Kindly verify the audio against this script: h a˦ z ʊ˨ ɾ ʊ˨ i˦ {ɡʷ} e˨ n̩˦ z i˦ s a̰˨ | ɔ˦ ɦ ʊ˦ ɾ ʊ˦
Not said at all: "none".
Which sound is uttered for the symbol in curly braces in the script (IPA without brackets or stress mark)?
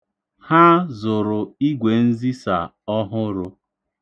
ɡʷ